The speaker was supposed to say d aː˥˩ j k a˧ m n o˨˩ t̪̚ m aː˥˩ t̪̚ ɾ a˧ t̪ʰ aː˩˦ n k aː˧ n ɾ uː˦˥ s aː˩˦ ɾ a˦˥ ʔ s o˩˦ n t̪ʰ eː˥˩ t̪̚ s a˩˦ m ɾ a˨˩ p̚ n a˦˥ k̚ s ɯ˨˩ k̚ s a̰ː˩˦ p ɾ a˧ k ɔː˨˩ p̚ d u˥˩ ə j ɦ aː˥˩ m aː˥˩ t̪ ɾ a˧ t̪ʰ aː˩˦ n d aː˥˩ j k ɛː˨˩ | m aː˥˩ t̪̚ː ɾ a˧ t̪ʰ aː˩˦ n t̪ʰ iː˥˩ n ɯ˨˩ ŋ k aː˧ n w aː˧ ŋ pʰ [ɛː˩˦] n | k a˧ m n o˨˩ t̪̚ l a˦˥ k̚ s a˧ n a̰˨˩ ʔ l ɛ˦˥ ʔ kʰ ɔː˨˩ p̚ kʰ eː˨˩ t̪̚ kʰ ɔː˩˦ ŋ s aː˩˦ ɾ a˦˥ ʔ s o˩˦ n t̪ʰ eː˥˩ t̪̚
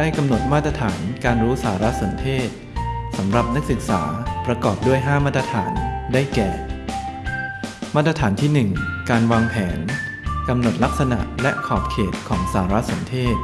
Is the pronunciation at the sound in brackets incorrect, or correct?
correct